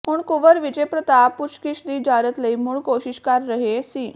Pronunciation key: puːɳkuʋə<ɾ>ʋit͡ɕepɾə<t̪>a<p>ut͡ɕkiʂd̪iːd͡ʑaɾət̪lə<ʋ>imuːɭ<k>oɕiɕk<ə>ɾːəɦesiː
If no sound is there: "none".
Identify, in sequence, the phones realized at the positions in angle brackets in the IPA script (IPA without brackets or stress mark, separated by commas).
ɾ, t̪, p, none, k, a